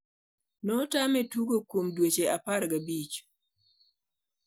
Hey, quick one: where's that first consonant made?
tongue tip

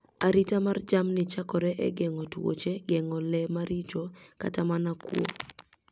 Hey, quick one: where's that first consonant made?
tongue tip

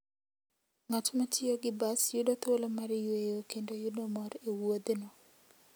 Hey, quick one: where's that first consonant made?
velum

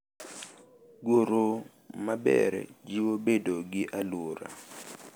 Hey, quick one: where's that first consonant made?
velum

